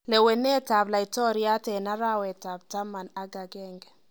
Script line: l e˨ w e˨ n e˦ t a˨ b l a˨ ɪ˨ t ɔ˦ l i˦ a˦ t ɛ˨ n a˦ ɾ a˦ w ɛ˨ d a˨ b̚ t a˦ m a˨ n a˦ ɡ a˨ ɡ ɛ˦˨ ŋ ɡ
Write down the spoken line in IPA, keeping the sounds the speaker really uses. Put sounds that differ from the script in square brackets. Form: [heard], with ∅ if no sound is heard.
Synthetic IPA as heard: l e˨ w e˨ n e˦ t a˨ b l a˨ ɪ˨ t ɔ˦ [ɾ] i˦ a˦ t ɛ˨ n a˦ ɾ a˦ w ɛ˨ [t] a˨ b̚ t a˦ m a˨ n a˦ ɡ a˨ ɡ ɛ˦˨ ŋ ɡ